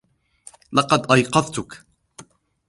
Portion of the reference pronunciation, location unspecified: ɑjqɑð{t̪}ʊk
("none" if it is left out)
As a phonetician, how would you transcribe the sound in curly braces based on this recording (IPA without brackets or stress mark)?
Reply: t̪